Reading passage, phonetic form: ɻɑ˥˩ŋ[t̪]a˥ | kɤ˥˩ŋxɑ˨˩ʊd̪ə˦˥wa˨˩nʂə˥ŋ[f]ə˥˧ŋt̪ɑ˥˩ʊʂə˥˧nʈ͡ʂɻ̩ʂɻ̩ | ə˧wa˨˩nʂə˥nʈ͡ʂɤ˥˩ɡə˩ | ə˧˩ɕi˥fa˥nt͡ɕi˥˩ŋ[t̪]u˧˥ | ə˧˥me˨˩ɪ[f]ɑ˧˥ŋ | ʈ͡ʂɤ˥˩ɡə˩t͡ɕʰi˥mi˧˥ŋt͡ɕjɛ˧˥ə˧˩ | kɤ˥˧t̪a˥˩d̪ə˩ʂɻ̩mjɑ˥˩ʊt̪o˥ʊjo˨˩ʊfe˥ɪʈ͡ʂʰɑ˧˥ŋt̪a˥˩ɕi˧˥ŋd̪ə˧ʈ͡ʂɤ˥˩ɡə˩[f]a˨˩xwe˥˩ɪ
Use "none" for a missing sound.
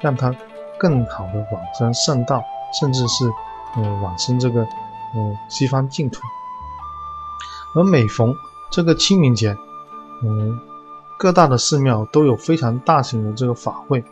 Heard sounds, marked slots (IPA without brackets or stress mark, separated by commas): t̪ʰ, ʂ, t̪ʰ, f, f